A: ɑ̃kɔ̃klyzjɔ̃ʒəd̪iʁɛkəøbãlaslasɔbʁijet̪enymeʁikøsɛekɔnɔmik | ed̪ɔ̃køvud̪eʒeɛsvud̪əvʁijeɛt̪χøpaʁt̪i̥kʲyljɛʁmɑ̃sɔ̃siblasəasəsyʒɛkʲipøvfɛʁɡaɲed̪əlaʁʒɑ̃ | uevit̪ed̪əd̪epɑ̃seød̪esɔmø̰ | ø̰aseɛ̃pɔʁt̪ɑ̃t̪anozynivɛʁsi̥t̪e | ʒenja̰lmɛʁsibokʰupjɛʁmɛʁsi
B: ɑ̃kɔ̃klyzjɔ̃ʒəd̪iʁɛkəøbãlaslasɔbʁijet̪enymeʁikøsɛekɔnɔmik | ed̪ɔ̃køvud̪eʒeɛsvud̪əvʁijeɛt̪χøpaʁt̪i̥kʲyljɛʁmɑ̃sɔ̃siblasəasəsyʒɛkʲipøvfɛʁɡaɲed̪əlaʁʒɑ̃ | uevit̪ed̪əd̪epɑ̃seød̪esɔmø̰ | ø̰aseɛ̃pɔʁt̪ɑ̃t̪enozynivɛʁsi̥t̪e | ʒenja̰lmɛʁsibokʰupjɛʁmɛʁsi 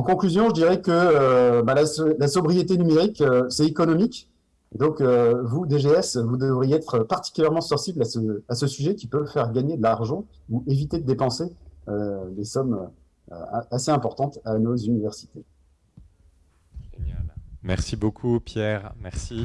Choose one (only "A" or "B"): A